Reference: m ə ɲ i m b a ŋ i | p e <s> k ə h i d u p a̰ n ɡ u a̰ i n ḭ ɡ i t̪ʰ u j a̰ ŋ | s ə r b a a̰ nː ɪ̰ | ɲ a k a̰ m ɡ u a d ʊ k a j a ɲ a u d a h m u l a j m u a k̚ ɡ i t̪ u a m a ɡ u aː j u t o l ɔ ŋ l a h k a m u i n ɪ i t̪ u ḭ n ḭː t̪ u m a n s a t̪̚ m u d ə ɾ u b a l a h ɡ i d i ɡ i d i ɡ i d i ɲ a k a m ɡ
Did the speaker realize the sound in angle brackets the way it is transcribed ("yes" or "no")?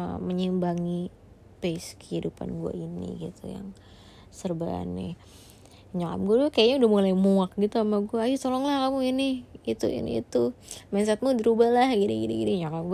yes